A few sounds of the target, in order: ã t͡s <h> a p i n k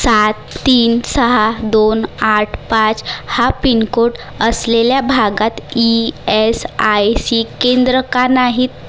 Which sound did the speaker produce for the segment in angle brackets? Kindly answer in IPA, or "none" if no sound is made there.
h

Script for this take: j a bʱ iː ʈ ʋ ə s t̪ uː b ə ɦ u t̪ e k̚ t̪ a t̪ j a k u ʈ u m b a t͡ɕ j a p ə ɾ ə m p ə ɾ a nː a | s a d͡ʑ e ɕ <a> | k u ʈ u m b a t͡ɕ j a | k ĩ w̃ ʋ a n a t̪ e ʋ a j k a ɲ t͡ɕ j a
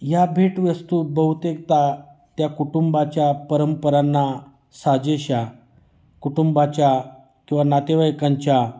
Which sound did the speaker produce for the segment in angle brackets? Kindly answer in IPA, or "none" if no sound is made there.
a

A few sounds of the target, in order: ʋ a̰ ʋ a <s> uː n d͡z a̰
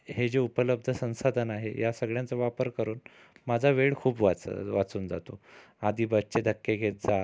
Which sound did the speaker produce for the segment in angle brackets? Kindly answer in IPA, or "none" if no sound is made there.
t͡s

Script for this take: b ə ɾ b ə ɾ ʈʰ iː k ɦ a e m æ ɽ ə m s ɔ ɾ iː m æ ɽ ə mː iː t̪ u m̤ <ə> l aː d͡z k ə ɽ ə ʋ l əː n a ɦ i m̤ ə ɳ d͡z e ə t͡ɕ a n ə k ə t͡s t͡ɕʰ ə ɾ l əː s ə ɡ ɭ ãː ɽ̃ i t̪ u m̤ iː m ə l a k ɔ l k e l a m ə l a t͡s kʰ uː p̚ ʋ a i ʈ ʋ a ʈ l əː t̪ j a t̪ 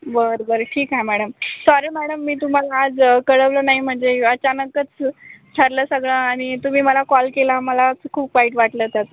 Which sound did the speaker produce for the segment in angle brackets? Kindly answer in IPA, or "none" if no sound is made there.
a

